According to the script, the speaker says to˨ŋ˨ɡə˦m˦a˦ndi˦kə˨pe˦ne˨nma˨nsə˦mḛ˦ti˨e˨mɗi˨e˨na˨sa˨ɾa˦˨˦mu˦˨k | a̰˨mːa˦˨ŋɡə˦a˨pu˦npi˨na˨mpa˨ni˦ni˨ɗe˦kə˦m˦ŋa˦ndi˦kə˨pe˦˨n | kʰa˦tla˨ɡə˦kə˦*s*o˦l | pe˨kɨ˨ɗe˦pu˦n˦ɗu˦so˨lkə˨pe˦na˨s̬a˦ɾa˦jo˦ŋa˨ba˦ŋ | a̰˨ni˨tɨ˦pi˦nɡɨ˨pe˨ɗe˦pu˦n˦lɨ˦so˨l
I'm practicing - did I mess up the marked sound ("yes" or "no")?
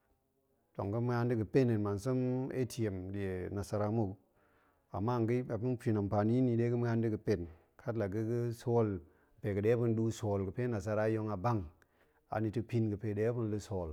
no